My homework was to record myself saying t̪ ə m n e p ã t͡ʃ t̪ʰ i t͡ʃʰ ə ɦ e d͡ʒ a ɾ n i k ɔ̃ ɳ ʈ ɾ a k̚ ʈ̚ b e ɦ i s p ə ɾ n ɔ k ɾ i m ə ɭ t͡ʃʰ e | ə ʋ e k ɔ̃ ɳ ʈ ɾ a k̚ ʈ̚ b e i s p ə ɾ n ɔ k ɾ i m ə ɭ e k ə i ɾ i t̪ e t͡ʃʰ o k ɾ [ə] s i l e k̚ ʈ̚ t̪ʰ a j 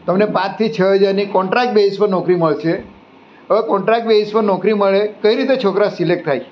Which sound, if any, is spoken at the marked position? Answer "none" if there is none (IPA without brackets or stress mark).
a